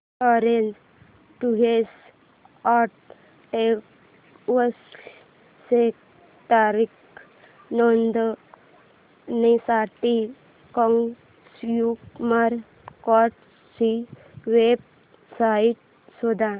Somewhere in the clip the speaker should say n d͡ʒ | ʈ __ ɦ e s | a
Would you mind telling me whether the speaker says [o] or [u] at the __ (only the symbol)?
u